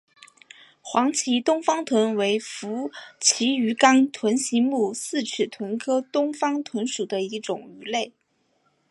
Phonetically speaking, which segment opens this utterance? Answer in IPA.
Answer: x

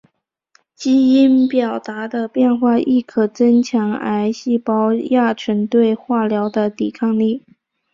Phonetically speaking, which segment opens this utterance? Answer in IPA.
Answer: t͡ɕ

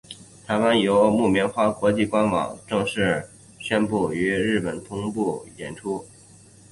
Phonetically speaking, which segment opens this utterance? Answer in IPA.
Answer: t̪ʰ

